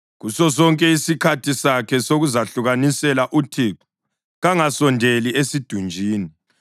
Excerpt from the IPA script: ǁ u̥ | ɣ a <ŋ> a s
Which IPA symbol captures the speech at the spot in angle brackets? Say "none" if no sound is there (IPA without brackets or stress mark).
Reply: ŋ